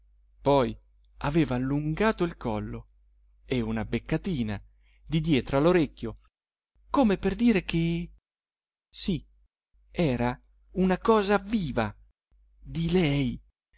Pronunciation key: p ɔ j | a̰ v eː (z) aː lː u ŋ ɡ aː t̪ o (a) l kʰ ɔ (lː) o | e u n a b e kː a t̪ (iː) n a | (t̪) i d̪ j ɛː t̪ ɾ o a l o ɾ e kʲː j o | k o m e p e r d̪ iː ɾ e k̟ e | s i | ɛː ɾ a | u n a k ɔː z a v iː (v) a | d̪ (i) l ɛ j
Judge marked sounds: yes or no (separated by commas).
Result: no, no, yes, yes, no, yes, yes